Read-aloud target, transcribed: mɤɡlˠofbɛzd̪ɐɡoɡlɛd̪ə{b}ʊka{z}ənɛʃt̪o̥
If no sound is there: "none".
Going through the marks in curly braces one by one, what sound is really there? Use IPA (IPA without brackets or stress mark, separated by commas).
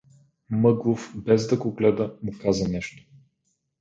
m, z